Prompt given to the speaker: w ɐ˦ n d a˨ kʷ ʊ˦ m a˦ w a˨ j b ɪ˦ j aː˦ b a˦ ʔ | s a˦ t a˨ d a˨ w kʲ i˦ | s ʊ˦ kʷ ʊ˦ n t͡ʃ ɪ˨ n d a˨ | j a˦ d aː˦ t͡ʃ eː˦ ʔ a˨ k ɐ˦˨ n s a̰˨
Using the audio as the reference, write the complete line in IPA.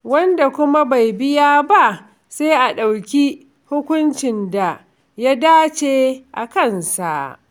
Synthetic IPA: w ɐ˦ n d a˨ kʷ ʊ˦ m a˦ b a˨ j b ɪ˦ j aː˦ b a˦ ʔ | s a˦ ʔ a˨ ɗ a˨ w kʲ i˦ | h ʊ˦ kʷ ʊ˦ n t͡ʃ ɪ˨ n d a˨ | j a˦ d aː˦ t͡ʃ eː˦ ʔ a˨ k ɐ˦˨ n s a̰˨